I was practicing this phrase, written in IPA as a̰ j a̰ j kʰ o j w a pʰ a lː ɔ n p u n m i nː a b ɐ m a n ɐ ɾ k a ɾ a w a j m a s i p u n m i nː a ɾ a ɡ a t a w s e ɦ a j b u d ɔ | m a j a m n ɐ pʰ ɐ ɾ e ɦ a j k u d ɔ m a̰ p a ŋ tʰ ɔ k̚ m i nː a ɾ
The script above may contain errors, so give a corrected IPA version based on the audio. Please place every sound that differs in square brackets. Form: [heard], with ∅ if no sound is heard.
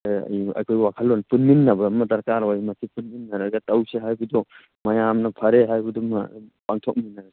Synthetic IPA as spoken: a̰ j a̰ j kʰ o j w a [kʰ] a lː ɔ n p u n m i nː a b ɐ m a [d] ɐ ɾ k a ɾ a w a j m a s i p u n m i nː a ɾ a ɡ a t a w s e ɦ a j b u d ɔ | m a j a m n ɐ pʰ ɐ ɾ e ɦ a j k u d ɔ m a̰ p a ŋ tʰ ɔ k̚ m i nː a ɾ